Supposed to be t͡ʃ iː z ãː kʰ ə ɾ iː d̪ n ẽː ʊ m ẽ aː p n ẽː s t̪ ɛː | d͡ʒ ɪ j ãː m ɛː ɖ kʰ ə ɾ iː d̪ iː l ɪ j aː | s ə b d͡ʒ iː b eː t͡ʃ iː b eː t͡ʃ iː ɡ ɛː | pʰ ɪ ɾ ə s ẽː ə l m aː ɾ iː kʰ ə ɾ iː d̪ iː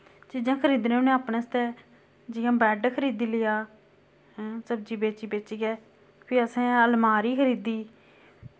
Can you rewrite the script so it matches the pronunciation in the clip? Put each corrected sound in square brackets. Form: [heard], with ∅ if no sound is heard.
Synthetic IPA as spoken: t͡ʃ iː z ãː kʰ ə ɾ iː d̪ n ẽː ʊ [n] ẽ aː p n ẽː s t̪ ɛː | d͡ʒ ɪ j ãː [b] ɛː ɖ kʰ ə ɾ iː d̪ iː l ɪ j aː | s ə b d͡ʒ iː b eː t͡ʃ iː b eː t͡ʃ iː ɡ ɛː | pʰ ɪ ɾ ə s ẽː ə l m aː ɾ iː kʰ ə ɾ iː d̪ iː